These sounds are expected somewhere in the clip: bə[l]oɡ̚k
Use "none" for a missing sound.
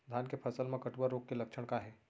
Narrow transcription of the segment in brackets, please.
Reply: ɾ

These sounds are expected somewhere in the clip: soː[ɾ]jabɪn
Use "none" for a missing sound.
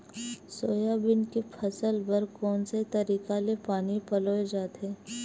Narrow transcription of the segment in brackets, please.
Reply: none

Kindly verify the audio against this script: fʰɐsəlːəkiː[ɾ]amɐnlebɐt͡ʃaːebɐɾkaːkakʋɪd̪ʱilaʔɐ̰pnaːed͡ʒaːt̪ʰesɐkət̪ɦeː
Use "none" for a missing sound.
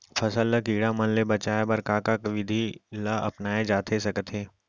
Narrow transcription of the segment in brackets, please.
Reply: ɽ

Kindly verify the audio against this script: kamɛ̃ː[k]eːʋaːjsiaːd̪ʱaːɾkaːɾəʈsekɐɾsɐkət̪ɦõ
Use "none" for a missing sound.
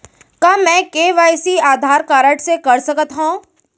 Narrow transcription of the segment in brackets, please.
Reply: k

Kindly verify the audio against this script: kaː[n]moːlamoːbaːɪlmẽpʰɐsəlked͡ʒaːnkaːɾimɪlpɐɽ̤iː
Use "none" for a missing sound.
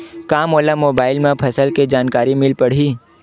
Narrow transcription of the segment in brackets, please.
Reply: none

